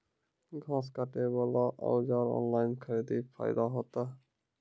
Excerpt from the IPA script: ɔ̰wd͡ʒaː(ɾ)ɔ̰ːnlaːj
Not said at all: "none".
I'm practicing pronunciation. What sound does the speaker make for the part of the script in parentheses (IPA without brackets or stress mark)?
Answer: ɾ